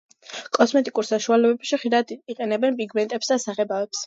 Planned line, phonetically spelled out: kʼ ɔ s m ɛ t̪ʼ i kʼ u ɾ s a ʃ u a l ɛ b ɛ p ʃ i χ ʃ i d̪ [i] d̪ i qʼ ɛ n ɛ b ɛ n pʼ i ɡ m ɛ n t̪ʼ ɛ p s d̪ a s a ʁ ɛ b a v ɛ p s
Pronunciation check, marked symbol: incorrect: a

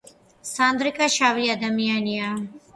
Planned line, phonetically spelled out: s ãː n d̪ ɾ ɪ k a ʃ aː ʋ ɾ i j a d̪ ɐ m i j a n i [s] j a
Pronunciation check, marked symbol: incorrect: none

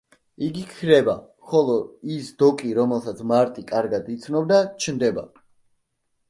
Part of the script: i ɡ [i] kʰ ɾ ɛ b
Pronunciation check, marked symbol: correct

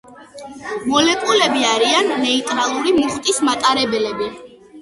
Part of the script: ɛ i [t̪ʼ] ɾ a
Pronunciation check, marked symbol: correct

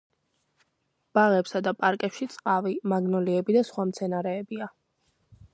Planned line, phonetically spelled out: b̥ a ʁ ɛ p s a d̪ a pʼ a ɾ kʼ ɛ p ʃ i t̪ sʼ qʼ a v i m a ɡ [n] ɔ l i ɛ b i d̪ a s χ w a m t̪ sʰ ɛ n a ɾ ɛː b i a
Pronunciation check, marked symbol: correct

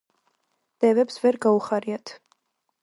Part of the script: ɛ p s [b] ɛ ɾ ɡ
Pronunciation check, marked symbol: incorrect: v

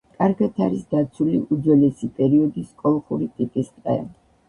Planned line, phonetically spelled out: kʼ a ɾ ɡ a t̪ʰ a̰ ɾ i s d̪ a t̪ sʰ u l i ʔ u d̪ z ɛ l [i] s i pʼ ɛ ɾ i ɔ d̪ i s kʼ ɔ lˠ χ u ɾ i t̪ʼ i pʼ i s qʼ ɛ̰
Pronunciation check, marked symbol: incorrect: ɛ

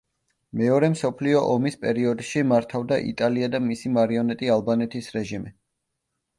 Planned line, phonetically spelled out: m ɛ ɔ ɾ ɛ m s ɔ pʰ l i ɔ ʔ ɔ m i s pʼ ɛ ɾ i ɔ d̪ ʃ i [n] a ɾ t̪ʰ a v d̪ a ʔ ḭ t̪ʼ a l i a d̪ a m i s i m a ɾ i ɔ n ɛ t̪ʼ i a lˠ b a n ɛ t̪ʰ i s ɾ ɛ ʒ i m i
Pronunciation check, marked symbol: incorrect: m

